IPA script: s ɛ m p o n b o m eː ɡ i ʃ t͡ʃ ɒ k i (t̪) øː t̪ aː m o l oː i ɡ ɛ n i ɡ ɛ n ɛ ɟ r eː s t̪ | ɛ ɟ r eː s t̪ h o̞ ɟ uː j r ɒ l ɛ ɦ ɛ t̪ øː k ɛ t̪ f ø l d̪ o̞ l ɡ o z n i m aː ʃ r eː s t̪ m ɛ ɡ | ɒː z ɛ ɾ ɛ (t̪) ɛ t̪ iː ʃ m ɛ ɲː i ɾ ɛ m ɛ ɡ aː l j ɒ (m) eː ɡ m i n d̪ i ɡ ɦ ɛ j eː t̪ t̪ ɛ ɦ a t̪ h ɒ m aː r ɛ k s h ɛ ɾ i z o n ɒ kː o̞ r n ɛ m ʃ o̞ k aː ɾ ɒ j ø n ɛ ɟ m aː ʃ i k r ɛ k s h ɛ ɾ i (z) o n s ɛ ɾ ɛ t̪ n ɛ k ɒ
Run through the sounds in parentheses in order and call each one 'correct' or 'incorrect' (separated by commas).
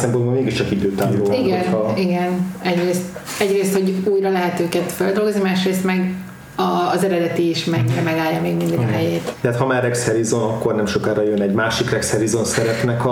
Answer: incorrect, incorrect, correct, correct